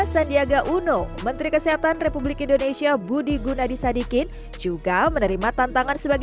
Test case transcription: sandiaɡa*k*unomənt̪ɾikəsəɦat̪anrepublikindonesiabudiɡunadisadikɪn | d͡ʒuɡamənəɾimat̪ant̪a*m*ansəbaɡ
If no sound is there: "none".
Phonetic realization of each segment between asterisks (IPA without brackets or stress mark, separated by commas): ʔ, ŋ